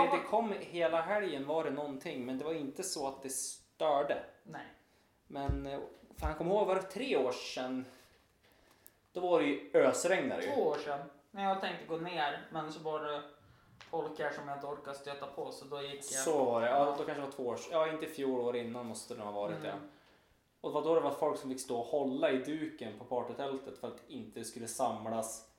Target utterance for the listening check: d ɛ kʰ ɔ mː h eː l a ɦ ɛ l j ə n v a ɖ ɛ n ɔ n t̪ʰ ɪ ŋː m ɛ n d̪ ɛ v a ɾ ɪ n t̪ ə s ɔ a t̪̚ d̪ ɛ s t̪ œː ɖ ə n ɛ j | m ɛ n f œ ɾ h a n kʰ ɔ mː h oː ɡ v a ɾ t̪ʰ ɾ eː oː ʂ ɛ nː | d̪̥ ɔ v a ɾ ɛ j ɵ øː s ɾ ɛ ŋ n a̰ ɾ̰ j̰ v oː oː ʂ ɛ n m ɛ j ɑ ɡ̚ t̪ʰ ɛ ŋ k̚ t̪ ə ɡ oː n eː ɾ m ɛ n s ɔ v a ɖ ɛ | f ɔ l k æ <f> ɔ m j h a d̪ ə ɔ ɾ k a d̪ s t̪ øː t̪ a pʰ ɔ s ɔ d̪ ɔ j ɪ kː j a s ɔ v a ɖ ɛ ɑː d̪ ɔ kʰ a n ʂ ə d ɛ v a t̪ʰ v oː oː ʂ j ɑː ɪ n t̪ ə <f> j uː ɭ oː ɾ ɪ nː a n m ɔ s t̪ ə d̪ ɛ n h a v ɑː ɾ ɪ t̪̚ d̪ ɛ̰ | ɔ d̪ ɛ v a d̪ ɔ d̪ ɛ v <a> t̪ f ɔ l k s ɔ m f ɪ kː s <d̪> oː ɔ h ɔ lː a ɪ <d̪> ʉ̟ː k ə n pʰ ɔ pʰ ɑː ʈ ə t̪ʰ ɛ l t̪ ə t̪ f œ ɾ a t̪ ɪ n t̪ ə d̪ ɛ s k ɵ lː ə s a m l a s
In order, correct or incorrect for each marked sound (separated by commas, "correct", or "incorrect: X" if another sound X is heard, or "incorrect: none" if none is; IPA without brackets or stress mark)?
incorrect: ʂ, correct, correct, incorrect: t̪, correct